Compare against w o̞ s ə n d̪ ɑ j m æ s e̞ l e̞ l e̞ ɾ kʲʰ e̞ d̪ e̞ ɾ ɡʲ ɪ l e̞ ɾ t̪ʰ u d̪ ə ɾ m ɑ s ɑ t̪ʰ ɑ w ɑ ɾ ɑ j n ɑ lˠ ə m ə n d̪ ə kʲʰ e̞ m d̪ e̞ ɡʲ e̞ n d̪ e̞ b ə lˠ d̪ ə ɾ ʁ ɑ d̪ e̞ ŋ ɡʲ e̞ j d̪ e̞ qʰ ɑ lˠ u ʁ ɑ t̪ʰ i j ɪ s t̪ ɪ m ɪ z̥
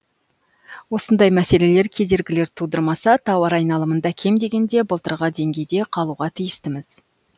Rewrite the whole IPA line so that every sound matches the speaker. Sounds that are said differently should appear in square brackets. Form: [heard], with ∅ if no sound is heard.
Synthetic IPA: w o̞ s ə n d̪ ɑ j m æ s e̞ l e̞ l e̞ ɾ kʲʰ e̞ d̪ e̞ ɾ ɡʲ ɪ l e̞ ɾ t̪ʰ u d̪ ə ɾ m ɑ s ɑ t̪ʰ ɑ w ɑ ɾ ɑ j n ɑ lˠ ə m ə n d̪ [ɑ] kʲʰ e̞ m d̪ e̞ ɡʲ e̞ n d̪ e̞ b ə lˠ [t̪] ə ɾ ʁ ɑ d̪ e̞ ŋ ɡʲ e̞ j d̪ e̞ qʰ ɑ lˠ u ʁ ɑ t̪ʰ i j ɪ s t̪ ɪ m ɪ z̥